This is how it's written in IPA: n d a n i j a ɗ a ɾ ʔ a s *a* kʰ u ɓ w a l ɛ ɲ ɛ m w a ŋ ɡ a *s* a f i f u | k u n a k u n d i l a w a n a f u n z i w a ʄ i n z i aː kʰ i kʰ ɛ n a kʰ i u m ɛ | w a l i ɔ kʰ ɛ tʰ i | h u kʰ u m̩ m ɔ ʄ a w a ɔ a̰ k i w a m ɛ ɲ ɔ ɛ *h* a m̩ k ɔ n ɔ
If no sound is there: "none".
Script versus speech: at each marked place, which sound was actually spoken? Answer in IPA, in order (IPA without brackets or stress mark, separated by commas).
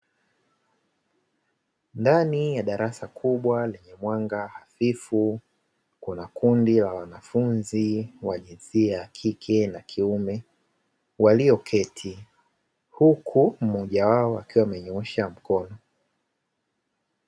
a, h, ʃ